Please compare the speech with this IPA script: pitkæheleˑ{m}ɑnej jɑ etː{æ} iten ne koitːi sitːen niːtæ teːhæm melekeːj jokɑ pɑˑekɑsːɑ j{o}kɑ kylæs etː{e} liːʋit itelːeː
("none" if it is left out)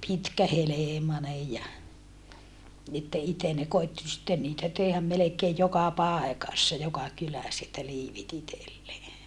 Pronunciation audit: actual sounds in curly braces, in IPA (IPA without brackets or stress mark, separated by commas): m, æ, o, æ